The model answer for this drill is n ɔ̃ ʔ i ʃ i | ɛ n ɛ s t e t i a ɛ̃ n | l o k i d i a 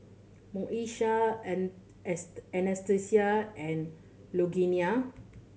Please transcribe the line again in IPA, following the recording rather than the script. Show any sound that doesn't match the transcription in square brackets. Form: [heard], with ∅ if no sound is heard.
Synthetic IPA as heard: [m] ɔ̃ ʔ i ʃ [a] | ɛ n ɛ s t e [s] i a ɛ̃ n | l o [ɡ] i [n] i a